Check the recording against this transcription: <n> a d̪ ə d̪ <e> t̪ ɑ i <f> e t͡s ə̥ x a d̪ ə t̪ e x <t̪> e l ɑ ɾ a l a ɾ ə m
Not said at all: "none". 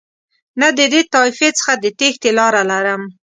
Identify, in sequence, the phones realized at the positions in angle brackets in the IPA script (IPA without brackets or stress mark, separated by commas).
n, e, f, t̪